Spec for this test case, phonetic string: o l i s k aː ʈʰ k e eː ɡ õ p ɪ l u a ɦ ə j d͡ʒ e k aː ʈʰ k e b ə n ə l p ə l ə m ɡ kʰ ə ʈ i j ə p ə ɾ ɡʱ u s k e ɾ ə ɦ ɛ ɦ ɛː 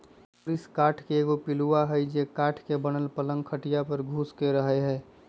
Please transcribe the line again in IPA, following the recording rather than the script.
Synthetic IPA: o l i s k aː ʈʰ k e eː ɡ o p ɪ l u a ɦ ə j d͡ʒ e k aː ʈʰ k e b ə n ə l p ə l ə ŋ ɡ kʰ ə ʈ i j a p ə ɾ ɡʱ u s k e ɾ ə ɦ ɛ ɦ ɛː